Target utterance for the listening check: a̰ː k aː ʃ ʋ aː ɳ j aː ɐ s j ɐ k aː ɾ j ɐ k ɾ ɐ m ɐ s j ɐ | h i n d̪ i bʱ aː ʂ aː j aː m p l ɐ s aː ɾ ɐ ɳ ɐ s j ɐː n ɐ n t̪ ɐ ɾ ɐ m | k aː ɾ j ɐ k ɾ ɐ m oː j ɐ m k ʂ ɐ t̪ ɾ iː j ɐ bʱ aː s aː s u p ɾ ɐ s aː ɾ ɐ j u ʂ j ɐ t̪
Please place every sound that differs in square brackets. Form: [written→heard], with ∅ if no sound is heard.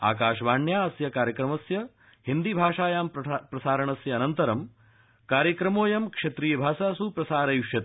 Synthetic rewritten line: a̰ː k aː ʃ ʋ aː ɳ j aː ɐ s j ɐ k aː ɾ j ɐ k ɾ ɐ m ɐ s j ɐ | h i n d̪ i bʱ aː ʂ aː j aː m p [l→ɾ] ɐ s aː ɾ ɐ ɳ ɐ s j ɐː n ɐ n t̪ ɐ ɾ ɐ m | k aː ɾ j ɐ k ɾ ɐ m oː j ɐ m k ʂ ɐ t̪ ɾ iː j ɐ bʱ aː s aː s u p ɾ ɐ s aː ɾ ɐ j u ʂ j ɐ t̪